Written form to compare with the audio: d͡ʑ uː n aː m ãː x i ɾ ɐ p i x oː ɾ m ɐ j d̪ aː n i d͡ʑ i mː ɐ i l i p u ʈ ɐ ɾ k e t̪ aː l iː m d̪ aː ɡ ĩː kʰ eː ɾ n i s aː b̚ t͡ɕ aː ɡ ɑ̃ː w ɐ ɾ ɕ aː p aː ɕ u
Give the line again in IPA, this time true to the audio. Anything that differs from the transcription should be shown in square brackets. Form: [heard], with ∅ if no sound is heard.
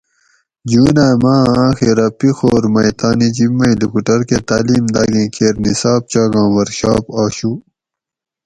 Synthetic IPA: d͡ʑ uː n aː m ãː x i ɾ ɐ p i x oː ɾ m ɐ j [t̪] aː n i d͡ʑ i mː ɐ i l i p u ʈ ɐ ɾ k e t̪ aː l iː m d̪ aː ɡ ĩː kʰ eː ɾ n i s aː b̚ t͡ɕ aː ɡ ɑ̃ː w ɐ ɾ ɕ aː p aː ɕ u

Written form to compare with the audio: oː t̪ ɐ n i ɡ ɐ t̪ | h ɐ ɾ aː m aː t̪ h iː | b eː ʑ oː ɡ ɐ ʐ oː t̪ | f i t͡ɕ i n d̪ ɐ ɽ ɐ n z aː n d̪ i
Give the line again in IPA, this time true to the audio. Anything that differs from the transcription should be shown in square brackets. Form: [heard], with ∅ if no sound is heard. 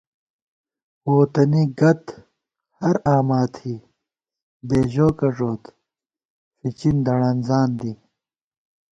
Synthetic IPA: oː t̪ ɐ n i ɡ ɐ t̪ | h ɐ ɾ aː m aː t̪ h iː | b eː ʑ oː [k] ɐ ʐ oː t̪ | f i t͡ɕ i n d̪ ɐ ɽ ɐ n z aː n d̪ i

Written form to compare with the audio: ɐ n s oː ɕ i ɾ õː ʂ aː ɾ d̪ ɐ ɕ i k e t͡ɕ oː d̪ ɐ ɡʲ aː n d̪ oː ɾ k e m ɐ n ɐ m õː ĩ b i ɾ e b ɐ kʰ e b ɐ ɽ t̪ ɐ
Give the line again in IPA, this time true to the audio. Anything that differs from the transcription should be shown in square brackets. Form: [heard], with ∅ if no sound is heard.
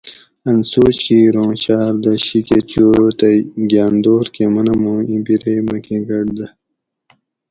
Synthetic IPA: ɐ n s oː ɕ i ɾ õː [ɕ] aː ɾ d̪ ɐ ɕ i k e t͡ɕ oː [t̪] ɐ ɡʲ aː n d̪ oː ɾ k e m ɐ n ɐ m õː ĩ b i ɾ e [m] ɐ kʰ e [ɡ] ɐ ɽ [d̪] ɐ

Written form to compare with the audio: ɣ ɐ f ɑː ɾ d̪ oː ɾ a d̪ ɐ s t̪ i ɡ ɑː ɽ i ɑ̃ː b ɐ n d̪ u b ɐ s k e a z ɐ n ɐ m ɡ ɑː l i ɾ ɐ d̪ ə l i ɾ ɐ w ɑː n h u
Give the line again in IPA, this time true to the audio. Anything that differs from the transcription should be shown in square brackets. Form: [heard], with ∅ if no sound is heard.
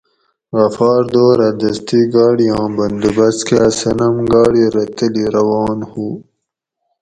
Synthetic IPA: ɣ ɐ f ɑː ɾ d̪ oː ɾ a d̪ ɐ s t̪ i ɡ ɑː ɽ i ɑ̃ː b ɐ n d̪ u b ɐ s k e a [s] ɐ n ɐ m ɡ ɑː [ɽ] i ɾ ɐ [t̪] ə l i ɾ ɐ w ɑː n h u

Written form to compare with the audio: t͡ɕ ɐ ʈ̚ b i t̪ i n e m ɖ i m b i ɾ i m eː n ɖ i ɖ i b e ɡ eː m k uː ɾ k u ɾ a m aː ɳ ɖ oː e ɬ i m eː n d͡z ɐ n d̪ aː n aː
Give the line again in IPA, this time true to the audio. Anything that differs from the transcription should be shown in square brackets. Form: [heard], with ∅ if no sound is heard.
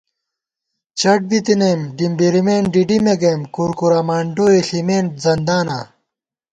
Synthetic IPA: t͡ɕ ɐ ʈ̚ b i t̪ i n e m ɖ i m b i ɾ i m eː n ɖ i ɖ i [m] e ɡ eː m k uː ɾ k u ɾ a m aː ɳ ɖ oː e ɬ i m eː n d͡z ɐ n d̪ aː n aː

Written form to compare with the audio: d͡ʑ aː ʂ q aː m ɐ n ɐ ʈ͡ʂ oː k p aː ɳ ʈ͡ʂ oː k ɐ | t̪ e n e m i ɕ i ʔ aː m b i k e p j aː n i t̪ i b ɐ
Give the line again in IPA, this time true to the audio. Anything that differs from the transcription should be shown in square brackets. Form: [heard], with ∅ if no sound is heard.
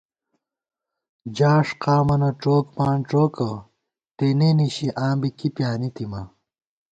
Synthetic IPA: d͡ʑ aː ʂ q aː m ɐ n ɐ ʈ͡ʂ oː k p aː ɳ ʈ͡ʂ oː k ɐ | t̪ e n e [n] i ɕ i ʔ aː m b i k [i] p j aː n i t̪ i [m] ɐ

